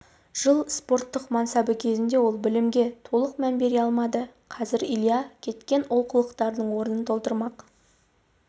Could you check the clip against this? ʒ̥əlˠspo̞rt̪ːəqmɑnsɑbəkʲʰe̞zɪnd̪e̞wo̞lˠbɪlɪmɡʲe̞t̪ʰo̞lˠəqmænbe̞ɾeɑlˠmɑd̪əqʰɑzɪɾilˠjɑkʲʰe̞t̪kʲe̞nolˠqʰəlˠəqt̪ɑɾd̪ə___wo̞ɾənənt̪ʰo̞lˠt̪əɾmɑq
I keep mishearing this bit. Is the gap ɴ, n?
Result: ɴ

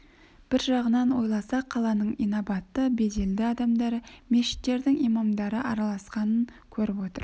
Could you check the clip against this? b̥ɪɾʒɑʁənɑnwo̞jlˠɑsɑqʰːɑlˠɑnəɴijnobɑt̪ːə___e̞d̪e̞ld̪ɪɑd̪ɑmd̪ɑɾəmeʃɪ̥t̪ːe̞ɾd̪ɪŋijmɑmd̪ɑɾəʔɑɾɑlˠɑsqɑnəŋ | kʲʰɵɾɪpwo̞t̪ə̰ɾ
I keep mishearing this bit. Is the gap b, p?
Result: b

